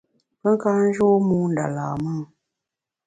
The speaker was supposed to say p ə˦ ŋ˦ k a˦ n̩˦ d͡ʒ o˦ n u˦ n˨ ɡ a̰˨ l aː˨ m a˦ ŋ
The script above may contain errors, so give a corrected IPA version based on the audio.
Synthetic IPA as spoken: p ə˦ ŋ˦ k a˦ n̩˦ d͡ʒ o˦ m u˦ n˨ d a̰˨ l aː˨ m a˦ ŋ